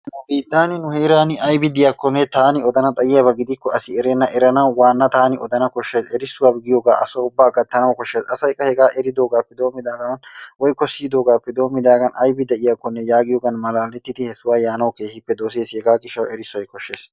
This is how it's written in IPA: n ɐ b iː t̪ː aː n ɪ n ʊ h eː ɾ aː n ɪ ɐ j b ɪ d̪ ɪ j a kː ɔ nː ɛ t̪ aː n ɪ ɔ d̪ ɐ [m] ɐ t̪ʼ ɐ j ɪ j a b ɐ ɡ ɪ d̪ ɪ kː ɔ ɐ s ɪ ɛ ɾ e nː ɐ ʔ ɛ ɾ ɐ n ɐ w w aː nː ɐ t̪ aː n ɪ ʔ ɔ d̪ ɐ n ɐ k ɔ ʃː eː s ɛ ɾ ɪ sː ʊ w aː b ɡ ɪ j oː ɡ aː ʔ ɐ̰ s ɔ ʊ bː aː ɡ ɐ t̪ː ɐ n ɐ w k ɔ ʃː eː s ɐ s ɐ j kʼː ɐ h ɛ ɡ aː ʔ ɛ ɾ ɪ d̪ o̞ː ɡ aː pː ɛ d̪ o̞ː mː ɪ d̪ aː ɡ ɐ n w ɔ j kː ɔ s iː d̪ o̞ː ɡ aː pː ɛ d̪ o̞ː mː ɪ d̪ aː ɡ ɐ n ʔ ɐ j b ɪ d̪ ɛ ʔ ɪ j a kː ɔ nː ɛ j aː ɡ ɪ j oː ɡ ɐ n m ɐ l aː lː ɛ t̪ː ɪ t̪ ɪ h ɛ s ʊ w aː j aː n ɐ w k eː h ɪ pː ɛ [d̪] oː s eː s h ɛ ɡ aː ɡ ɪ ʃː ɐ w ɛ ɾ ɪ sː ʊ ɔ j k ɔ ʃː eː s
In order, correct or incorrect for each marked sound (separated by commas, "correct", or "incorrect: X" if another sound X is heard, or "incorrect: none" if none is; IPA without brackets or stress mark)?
incorrect: n, correct